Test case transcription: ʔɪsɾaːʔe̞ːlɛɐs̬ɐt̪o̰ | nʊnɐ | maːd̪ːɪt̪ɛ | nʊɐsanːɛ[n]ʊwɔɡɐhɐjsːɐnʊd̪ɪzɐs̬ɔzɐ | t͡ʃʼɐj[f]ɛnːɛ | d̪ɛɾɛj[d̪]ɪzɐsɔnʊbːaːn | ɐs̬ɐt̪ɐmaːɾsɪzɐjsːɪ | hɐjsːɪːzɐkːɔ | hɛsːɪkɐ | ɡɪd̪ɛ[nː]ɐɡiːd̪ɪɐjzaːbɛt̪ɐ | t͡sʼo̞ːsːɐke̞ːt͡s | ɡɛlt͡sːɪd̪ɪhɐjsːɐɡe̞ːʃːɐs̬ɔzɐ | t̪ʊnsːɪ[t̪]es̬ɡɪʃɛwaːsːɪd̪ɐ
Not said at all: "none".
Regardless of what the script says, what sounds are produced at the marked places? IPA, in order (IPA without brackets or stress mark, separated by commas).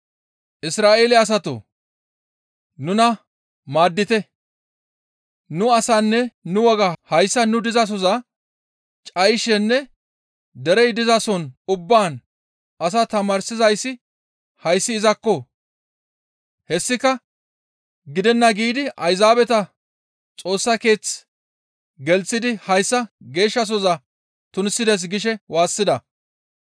n, ʃ, d̪, nː, d̪